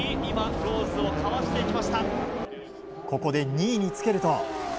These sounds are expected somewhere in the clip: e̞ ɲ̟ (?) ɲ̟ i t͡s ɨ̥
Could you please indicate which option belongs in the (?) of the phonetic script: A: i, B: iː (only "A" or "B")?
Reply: B